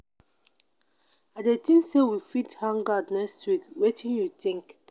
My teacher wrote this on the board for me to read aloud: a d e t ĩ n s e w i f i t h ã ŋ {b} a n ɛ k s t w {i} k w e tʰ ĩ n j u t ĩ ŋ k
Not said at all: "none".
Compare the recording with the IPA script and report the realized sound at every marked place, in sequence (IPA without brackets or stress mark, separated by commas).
ɡ, i